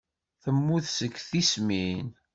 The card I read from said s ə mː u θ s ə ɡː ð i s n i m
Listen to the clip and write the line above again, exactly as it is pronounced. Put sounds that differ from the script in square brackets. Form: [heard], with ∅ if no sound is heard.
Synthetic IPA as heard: [θ] ə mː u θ s ə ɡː [θ] i s [m] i [n]